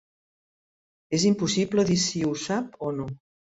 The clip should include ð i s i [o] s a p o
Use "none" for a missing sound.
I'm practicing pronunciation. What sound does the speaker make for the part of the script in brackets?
u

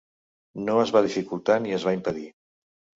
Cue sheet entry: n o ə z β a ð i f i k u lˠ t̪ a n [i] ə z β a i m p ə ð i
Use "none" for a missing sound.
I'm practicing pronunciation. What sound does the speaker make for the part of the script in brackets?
i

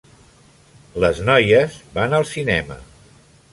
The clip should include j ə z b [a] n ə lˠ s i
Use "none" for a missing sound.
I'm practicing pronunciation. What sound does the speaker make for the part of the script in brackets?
a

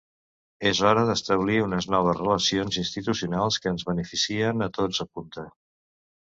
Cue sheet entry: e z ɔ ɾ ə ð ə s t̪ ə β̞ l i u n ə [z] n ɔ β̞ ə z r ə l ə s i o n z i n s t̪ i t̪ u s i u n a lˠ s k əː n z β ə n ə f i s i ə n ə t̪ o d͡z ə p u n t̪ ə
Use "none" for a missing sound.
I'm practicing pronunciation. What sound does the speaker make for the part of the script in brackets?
z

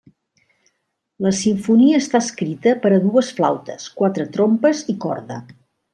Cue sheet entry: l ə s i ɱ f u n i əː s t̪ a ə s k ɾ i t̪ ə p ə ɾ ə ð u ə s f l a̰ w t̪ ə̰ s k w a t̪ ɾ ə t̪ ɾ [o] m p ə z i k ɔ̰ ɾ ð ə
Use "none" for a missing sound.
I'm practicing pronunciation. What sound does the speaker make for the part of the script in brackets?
o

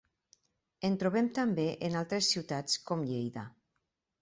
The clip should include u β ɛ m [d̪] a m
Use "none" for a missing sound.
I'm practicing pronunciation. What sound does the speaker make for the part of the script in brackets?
t̪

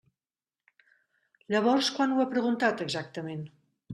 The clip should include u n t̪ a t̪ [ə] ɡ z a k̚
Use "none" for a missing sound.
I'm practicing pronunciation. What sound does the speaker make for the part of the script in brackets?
ə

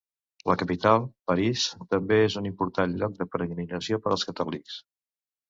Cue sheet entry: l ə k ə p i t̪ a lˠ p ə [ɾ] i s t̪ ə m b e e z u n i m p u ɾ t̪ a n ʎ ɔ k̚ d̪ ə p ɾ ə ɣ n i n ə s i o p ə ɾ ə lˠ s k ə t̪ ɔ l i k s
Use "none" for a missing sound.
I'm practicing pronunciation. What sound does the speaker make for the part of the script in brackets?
ɾ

